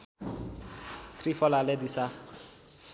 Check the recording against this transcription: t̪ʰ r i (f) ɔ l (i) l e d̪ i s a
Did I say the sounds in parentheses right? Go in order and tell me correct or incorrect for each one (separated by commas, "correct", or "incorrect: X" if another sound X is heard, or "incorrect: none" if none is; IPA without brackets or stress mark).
correct, incorrect: a